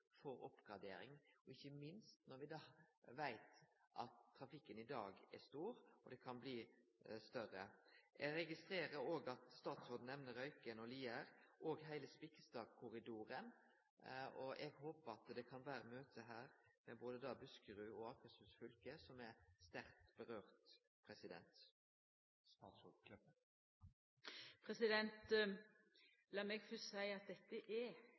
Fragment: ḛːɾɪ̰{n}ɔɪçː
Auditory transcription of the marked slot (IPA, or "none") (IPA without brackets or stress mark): ŋ